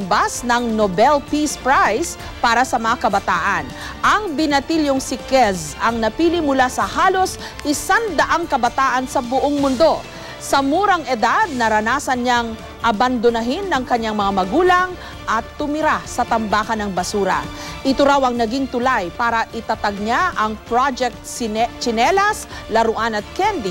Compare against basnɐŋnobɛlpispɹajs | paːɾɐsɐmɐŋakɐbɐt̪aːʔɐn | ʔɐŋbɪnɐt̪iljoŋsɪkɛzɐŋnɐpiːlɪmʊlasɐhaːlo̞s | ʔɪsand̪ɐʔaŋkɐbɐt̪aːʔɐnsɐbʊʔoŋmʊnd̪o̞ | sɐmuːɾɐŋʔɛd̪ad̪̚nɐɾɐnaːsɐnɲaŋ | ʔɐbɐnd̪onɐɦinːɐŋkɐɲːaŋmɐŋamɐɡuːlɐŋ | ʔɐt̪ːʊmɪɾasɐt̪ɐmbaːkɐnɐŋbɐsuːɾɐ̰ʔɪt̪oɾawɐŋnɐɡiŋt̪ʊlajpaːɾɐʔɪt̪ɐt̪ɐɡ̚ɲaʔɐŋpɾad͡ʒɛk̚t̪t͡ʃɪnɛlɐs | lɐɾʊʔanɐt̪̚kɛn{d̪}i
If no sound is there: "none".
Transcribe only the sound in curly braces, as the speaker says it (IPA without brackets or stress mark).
d̪